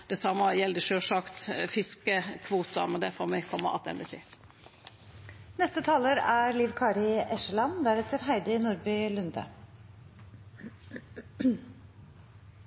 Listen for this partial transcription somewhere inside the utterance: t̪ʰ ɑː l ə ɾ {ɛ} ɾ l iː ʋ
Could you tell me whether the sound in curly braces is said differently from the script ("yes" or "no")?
yes